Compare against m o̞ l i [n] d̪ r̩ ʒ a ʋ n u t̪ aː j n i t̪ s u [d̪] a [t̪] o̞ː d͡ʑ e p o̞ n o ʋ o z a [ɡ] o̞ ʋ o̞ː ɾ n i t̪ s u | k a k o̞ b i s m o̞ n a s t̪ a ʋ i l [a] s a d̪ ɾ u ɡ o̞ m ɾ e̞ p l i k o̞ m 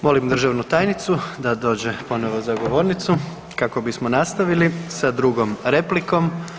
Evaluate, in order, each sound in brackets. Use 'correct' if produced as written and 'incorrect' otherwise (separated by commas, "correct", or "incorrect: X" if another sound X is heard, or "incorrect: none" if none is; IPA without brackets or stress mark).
incorrect: m, correct, incorrect: d̪, correct, incorrect: i